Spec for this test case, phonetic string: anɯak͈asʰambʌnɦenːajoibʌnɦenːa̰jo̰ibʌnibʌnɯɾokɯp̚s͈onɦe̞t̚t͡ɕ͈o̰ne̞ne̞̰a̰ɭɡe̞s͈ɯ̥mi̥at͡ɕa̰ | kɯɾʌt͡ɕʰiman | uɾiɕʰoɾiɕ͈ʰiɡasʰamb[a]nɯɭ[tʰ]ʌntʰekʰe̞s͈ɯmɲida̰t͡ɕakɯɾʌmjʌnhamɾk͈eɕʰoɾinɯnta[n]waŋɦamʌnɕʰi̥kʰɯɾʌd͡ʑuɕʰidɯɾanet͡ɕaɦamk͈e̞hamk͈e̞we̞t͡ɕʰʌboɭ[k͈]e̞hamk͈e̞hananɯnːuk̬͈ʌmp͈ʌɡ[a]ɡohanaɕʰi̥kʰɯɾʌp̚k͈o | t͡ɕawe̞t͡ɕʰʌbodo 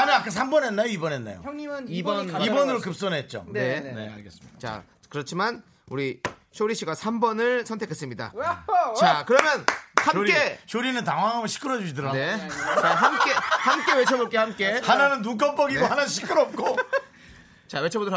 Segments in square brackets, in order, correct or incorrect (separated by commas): incorrect, incorrect, incorrect, correct, incorrect